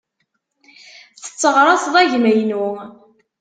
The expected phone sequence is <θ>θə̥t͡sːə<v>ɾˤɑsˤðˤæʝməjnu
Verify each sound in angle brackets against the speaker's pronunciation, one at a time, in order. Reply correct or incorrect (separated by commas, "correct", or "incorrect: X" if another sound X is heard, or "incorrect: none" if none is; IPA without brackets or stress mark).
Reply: correct, incorrect: ʁ